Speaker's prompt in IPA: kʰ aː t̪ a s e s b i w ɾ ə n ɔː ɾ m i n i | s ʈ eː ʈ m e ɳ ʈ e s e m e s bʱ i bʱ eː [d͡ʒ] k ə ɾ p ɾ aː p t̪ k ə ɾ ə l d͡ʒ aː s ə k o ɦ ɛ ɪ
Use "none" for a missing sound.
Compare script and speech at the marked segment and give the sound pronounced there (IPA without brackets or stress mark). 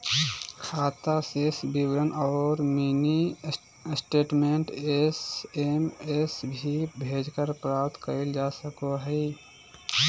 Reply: d͡ʒ